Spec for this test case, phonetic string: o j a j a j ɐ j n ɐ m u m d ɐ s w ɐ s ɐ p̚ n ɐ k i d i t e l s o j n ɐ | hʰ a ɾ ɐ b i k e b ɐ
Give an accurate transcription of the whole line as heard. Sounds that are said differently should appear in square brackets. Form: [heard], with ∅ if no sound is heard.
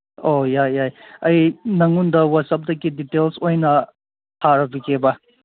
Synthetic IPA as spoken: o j a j a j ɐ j n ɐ [ŋ] u [n] d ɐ [∅] w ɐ s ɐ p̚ [d] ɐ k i d i t e l s o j n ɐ | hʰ a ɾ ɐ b i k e b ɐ